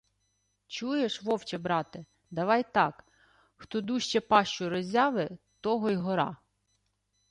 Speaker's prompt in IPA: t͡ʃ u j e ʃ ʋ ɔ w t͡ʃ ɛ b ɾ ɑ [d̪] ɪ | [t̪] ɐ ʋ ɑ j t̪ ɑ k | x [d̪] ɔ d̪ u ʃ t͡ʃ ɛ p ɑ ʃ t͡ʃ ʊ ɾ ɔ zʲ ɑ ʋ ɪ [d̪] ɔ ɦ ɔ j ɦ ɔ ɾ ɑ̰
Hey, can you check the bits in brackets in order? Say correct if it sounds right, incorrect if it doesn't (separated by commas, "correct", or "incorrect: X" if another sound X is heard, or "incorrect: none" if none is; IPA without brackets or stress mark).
incorrect: t̪, incorrect: d̪, incorrect: t̪, incorrect: t̪